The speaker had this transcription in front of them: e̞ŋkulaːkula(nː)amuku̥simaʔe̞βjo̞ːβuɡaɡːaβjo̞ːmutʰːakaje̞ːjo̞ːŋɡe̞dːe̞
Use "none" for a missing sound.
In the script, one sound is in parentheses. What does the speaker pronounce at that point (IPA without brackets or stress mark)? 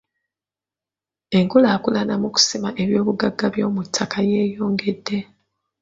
n